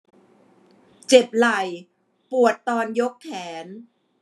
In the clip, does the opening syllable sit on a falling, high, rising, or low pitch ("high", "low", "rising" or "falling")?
low